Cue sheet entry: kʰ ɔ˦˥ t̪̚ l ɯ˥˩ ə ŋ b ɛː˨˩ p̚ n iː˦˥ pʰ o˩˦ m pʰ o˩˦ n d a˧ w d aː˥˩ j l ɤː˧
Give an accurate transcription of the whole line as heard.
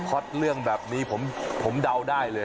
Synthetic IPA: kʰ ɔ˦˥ t̪̚ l ɯ˥˩ ə ŋ b ɛː˨˩ p̚ n iː˦˥ pʰ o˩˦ m pʰ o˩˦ m d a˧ w d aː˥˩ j l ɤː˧